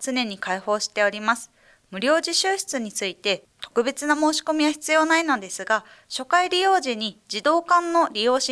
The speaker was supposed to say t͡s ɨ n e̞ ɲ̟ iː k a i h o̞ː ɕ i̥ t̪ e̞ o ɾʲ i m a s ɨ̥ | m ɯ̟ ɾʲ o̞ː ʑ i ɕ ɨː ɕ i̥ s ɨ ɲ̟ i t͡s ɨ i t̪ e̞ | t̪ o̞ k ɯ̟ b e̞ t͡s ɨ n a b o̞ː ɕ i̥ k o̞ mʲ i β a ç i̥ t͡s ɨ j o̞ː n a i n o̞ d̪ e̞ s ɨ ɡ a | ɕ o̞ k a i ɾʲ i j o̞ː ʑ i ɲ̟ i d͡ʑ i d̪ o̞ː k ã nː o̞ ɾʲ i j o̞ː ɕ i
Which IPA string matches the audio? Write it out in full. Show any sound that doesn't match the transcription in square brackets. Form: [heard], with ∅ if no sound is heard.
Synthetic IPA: t͡s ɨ n e̞ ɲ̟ [i] k a i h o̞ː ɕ i̥ t̪ e̞ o ɾʲ i m a s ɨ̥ | m ɯ̟ ɾʲ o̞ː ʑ i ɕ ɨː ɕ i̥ [t͡s] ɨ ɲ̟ i t͡s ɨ i t̪ e̞ | t̪ o̞ k ɯ̟ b e̞ t͡s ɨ n a [m] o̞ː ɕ i̥ k o̞ mʲ i β a ç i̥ t͡s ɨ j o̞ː n a i n o̞ d̪ e̞ s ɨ ɡ a | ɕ o̞ k a i ɾʲ i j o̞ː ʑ i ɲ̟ i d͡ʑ i d̪ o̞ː k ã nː o̞ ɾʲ i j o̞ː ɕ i